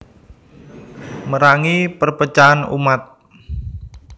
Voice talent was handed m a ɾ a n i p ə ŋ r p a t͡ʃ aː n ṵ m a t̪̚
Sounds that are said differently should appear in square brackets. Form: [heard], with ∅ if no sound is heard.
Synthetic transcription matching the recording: m [ə] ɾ a [ŋ] i p ə [∅] r p [ə] t͡ʃ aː n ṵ m a t̪̚